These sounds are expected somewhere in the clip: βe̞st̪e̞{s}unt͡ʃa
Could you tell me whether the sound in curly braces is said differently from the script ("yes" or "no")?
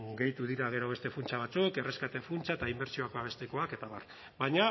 yes